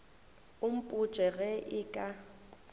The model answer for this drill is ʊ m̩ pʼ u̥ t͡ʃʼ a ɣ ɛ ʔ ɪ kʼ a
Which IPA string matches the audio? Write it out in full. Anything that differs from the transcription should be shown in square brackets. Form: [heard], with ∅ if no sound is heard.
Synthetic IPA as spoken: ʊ m̩ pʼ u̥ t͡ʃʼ [ɛ] ɣ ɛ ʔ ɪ kʼ a